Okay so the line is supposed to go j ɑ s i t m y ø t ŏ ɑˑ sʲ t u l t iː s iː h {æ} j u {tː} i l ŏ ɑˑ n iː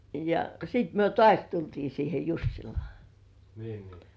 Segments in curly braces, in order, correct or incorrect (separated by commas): incorrect, incorrect